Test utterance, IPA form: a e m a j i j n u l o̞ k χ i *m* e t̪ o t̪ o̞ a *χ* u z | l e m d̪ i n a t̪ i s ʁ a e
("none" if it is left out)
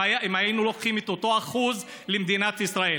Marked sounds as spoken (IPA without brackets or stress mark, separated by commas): m, χ